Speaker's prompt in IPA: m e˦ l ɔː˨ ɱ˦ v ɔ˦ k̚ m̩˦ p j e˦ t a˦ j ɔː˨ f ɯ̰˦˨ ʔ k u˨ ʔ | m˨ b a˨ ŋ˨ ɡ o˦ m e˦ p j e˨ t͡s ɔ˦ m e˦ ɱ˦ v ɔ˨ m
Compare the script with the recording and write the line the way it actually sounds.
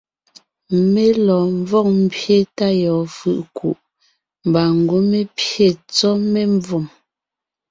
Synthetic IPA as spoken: m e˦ l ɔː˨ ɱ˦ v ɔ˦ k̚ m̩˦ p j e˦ t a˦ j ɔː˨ f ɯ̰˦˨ ʔ k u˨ ʔ | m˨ b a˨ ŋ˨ ɡ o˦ m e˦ p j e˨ t͡s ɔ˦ m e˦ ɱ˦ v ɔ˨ m